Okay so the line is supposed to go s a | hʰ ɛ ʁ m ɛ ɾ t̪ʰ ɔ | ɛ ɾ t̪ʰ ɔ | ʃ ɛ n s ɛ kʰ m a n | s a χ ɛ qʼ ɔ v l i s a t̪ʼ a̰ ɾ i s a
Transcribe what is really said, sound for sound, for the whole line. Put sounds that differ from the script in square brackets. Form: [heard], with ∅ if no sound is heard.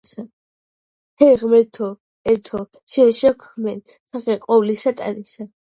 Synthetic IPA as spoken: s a | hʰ ɛ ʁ m ɛ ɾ t̪ʰ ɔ | ɛ ɾ t̪ʰ ɔ | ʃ ɛ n [ʃ] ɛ kʰ m [ɛ] n | s a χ ɛ qʼ ɔ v l i s a t̪ʼ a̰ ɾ i s a